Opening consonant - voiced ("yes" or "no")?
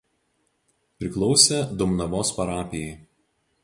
no